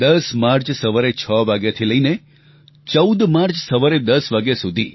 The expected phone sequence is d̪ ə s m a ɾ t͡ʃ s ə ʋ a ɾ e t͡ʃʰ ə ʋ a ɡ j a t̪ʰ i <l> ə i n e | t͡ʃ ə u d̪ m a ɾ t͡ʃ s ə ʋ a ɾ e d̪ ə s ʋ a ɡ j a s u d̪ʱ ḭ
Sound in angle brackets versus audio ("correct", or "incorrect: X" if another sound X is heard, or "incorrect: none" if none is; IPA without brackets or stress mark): correct